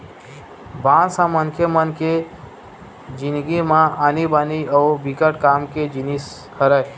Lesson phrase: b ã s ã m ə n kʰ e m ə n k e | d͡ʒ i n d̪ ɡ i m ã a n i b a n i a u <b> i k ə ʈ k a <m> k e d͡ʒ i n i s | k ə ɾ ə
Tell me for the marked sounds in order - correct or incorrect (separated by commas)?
correct, correct